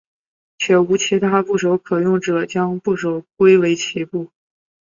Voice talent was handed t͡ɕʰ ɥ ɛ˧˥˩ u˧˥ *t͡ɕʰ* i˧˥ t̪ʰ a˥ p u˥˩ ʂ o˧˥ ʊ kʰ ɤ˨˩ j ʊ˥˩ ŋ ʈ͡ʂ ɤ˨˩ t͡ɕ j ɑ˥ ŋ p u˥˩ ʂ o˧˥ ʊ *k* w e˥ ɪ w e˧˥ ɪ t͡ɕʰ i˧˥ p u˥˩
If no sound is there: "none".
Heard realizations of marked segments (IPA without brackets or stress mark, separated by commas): t͡ɕʰ, k